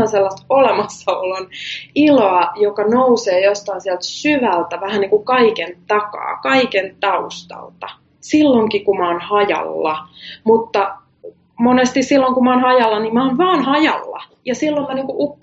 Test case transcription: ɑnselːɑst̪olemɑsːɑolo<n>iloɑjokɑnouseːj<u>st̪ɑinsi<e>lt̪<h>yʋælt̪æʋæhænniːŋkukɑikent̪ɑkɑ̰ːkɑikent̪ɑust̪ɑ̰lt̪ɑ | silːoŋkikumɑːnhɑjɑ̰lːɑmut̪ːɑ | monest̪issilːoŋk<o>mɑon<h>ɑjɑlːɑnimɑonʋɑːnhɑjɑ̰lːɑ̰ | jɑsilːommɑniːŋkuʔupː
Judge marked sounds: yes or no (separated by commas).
yes, no, no, no, no, yes